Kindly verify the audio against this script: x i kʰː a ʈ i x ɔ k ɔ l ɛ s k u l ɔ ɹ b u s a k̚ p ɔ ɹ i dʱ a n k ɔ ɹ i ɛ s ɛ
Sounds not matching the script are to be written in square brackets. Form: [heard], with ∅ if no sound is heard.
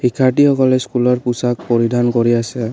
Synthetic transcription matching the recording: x i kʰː a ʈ i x ɔ k ɔ l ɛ s k u l ɔ ɹ [p] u s a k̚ p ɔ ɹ i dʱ a n k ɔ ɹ i [a] s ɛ